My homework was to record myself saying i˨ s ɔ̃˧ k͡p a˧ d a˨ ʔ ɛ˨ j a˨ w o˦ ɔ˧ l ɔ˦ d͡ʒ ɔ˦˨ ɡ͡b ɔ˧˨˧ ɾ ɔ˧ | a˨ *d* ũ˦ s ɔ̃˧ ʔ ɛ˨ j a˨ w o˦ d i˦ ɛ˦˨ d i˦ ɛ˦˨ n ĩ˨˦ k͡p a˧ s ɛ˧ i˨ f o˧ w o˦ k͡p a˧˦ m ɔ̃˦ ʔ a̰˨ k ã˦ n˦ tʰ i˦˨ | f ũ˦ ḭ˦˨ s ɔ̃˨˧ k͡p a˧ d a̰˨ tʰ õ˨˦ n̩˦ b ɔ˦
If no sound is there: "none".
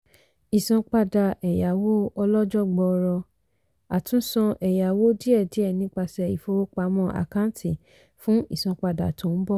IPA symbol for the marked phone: t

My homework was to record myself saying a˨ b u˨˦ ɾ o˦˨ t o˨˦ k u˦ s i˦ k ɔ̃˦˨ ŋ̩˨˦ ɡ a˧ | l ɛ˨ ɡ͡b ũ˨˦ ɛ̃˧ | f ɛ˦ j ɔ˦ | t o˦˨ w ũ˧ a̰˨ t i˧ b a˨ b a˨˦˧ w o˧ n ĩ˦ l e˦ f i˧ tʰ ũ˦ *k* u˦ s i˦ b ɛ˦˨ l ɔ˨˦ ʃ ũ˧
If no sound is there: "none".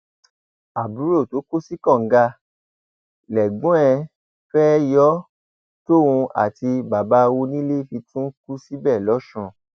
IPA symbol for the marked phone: k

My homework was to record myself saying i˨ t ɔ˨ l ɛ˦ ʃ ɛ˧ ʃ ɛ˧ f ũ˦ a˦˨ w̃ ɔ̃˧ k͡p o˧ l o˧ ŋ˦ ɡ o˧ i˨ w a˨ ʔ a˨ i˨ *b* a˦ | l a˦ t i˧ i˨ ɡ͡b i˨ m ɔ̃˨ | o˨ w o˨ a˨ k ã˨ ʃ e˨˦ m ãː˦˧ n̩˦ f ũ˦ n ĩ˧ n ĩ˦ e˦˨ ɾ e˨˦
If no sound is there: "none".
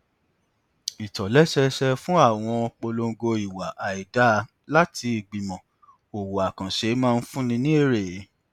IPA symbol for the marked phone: d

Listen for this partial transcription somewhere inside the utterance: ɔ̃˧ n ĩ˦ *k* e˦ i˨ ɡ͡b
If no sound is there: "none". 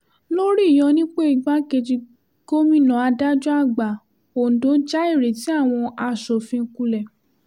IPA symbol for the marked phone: k͡p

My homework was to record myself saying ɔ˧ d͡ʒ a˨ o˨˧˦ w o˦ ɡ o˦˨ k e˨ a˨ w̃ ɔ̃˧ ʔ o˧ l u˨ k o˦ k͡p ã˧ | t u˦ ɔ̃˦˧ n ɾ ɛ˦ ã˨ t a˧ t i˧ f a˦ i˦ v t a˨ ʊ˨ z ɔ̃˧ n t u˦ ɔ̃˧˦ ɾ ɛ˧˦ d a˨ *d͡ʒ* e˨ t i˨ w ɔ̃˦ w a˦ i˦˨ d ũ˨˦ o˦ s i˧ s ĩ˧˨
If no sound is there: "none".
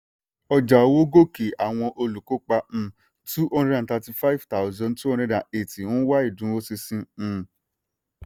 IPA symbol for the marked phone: none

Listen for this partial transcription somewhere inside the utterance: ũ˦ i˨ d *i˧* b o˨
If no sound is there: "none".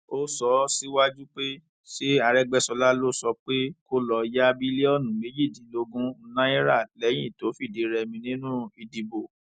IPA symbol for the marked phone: i˧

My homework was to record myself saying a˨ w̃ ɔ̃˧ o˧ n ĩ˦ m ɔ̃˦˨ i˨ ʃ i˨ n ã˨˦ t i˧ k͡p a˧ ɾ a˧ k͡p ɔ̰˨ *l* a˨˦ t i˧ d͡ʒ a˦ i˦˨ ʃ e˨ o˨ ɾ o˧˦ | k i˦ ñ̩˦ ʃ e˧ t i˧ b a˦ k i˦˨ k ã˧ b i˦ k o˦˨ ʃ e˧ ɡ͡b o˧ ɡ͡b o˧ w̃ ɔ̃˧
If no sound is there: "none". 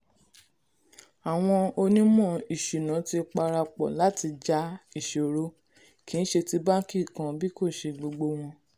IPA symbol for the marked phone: l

